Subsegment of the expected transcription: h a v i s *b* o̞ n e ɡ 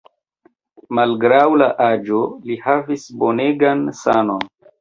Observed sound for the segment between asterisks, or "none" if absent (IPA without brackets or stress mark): b